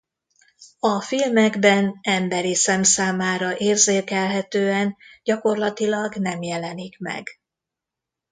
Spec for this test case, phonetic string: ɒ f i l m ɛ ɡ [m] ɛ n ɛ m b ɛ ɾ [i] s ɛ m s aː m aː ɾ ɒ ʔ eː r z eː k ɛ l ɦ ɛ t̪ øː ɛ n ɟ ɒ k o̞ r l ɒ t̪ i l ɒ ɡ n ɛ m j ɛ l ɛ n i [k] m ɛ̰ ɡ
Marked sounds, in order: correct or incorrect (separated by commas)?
incorrect, correct, correct